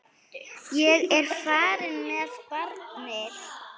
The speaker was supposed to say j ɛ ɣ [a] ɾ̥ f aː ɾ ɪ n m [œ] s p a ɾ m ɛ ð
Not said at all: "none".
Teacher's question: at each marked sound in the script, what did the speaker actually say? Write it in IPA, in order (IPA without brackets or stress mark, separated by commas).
ɛ, ɛ